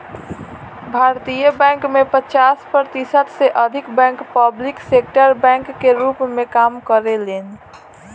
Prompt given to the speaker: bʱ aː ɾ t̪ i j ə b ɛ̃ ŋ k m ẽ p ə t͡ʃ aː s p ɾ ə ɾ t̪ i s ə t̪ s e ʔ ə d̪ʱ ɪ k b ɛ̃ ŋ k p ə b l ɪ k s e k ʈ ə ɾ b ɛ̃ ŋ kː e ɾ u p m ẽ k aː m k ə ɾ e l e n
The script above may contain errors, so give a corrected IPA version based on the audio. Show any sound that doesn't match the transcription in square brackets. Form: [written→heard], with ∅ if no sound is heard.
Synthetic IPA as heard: bʱ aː ɾ t̪ i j ə b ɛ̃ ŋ k m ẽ p ə t͡ʃ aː s p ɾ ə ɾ t̪ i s ə t̪ s e ʔ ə d̪ʱ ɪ k b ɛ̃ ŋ k p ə b l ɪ k s e k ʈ ə ɾ b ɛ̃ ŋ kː e ɾ u p m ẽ k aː m k ə ɾ e l e n